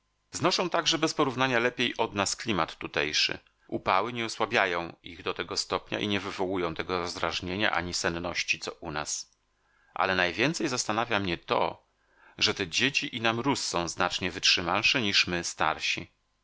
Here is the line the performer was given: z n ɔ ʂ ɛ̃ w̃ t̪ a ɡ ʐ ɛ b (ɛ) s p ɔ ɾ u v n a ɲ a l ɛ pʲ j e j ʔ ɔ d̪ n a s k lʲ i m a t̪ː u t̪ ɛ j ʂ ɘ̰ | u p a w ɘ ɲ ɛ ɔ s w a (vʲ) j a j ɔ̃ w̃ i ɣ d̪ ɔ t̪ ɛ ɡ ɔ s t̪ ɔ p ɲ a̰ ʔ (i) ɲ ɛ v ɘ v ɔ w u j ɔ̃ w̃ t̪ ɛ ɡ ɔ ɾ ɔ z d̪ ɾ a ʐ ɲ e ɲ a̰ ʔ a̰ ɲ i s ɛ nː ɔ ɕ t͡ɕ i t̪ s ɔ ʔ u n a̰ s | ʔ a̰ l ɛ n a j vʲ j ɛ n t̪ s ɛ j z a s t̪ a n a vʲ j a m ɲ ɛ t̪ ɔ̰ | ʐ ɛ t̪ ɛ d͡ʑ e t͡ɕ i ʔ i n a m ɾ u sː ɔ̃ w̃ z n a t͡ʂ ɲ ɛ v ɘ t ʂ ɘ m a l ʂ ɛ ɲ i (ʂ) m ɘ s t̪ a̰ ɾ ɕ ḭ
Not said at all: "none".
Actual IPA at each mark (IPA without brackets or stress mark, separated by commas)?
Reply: ɛ, bʲ, i, ʂ